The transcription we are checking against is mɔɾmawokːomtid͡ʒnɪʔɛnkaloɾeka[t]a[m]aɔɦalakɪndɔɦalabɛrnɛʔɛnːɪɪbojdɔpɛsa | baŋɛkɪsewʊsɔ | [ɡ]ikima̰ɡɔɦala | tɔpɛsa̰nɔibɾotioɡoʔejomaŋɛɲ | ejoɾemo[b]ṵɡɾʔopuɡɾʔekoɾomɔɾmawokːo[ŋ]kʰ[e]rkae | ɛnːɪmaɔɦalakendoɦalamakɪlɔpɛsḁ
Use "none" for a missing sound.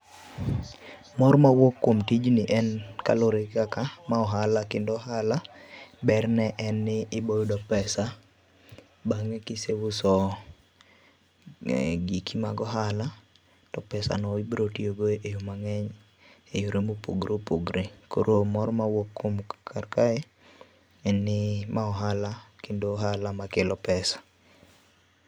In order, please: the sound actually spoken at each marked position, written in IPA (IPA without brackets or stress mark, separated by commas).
k, m, ɡ, p, m, a